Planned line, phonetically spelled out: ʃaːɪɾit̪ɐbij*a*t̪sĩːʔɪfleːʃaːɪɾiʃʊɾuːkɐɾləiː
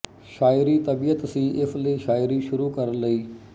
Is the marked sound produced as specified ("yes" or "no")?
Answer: no